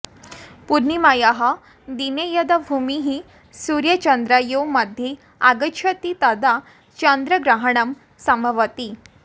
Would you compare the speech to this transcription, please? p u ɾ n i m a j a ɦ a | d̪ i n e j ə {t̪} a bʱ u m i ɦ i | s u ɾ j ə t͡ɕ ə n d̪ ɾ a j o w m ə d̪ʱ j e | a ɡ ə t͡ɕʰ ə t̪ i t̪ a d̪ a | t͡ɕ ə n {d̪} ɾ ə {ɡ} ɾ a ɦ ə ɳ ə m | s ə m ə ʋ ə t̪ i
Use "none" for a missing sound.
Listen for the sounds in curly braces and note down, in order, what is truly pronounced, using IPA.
d̪, d̪, ɡ

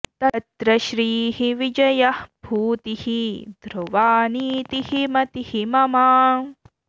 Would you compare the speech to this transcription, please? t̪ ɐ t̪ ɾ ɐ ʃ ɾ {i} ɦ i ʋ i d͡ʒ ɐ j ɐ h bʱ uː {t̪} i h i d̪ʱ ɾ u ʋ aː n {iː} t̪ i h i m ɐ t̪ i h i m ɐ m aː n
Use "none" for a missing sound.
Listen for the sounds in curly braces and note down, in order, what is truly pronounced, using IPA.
iː, t̪, iː

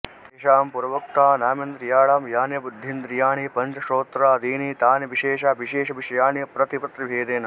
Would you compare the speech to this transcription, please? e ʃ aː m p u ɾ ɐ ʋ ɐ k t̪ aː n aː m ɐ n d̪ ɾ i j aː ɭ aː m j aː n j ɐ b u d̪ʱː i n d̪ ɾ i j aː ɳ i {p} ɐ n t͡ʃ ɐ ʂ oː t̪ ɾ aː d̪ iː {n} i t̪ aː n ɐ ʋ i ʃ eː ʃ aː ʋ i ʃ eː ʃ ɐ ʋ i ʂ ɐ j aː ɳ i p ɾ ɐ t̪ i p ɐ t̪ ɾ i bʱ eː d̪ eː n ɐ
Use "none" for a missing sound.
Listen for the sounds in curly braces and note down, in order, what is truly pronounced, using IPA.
p, n

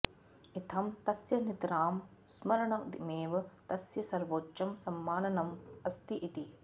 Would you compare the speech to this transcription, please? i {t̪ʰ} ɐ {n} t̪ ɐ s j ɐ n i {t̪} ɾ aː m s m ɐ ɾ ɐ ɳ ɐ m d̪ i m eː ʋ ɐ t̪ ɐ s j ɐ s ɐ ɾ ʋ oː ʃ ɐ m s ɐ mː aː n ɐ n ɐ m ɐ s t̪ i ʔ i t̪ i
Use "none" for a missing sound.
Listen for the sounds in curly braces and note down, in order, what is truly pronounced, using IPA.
t̪ʰ, m, t̪

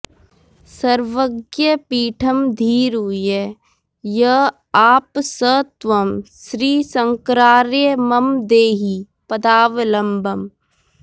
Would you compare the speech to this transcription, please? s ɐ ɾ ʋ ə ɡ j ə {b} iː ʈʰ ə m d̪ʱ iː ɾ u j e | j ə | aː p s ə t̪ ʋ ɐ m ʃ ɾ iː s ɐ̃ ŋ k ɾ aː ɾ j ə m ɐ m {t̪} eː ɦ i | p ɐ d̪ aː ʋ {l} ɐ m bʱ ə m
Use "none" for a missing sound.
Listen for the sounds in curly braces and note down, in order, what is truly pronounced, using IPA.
p, d̪, l

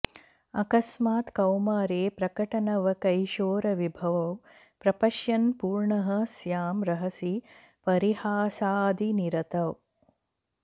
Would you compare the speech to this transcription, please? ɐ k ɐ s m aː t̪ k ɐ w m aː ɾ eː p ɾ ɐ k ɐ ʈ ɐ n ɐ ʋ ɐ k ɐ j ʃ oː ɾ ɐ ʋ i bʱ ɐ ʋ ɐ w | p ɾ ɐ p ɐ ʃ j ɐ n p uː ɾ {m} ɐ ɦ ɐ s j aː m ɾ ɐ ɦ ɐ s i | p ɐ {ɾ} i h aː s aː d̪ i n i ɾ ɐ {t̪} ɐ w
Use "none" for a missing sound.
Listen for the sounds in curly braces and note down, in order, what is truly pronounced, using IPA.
ɳ, ɾ, t̪

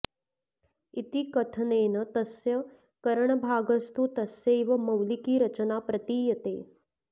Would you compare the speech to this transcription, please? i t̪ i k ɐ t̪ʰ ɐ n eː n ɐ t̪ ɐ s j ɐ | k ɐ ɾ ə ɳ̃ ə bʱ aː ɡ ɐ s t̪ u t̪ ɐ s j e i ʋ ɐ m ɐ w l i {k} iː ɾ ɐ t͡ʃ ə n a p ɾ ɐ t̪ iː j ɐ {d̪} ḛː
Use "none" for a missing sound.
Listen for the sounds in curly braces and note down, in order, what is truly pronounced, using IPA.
k, t̪

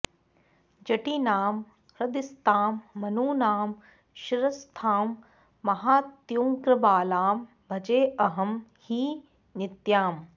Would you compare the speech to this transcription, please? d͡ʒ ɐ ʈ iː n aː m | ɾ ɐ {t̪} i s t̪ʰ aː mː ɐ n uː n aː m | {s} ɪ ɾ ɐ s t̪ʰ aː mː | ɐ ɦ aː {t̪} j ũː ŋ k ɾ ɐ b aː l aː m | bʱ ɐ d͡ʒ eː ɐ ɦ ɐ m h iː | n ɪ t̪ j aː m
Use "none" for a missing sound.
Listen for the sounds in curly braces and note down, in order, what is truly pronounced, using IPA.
d̪, ʃ, t̪

